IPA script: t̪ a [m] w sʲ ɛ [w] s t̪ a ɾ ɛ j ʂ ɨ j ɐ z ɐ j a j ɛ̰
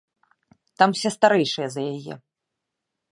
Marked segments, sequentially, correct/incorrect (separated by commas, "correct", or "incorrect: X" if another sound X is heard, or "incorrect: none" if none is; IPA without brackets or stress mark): correct, incorrect: none